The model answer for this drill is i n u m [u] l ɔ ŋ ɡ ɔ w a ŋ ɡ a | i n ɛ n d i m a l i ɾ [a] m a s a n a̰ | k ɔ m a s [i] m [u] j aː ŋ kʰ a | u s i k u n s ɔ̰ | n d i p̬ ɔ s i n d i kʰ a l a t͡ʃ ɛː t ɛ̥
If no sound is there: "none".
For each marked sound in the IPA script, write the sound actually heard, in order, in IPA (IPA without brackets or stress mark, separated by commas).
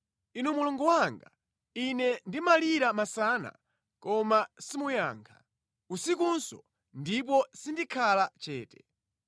u, a, i, u